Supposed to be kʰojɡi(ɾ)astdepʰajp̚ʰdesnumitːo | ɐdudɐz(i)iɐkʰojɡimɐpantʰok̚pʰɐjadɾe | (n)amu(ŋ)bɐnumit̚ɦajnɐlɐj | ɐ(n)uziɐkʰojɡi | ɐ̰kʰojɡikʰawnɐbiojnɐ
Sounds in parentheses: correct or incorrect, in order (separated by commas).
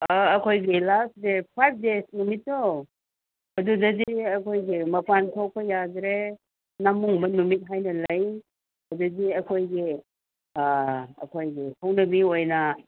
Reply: incorrect, correct, correct, correct, incorrect